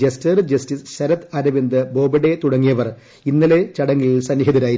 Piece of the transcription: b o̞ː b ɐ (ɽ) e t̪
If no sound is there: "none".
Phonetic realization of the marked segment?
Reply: ɽ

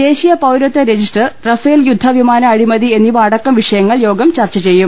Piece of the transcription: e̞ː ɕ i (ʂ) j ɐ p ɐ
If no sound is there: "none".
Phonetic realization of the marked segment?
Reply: none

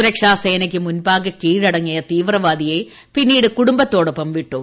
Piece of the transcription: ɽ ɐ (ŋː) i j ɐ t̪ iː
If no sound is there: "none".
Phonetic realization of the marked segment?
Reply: ŋː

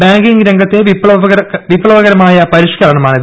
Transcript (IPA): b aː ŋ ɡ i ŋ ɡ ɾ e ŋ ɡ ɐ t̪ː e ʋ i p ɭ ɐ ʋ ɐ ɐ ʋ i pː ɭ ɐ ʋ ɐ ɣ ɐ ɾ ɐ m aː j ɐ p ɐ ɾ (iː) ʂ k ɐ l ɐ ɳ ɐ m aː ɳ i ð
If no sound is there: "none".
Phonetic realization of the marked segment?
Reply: i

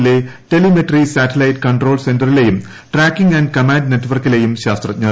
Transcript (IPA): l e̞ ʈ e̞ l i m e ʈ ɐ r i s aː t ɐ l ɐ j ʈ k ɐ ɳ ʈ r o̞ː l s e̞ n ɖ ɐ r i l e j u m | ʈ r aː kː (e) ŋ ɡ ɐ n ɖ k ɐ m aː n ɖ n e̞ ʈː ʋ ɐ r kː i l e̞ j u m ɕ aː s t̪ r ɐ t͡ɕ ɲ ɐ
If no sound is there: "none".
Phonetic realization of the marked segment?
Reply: i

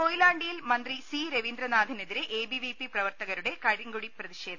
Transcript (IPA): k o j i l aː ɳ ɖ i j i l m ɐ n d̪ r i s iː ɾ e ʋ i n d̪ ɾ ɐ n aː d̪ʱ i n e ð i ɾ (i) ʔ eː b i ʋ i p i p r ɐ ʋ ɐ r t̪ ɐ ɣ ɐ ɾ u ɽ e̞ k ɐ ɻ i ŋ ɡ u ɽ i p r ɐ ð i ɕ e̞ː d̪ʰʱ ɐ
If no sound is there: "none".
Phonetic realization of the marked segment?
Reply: e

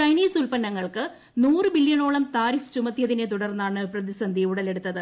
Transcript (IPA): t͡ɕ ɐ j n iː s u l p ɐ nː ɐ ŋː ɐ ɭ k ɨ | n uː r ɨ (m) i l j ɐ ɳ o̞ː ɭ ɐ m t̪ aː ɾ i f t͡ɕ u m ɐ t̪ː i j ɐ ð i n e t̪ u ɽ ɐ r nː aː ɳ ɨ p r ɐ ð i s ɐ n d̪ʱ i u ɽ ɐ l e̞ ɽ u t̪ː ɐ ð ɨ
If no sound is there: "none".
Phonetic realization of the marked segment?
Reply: b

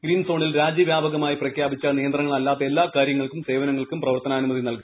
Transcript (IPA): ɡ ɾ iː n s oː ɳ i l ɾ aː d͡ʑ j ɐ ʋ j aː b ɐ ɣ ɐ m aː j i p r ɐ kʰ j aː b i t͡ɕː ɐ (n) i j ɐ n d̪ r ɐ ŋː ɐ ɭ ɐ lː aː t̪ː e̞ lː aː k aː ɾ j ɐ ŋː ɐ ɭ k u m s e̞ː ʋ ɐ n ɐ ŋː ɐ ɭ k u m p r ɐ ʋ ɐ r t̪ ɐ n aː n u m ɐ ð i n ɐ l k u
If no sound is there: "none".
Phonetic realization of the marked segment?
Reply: n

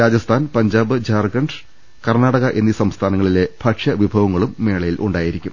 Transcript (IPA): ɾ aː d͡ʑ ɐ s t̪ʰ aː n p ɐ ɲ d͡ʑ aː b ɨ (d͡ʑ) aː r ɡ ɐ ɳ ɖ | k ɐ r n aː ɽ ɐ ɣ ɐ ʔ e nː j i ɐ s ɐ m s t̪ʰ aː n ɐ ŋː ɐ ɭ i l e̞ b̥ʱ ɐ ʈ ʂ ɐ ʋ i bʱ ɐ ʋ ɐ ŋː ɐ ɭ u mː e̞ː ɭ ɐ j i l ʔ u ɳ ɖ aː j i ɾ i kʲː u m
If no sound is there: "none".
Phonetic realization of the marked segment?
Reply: d͡ʑ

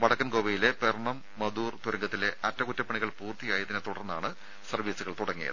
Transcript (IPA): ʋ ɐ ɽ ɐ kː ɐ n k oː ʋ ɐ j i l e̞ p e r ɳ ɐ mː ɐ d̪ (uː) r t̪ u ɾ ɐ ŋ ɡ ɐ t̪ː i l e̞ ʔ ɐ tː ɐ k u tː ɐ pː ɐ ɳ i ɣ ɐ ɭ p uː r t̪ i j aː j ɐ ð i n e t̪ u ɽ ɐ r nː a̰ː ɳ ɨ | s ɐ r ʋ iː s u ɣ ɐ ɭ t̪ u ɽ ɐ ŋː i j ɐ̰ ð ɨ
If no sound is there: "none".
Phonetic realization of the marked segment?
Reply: uː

